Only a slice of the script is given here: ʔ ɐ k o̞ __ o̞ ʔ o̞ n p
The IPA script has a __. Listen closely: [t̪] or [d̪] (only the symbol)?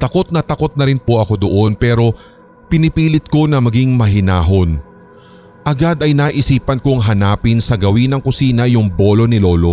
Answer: d̪